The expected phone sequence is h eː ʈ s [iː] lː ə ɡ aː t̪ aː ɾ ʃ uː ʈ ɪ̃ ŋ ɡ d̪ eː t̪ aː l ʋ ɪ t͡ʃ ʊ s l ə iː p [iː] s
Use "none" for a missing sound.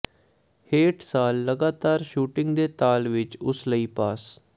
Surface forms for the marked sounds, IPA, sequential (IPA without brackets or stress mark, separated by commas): aː, aː